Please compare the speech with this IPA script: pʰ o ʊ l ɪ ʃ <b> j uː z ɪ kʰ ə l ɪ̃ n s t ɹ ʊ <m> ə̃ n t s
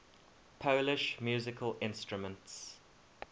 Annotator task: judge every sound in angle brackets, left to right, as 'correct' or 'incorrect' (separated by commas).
incorrect, correct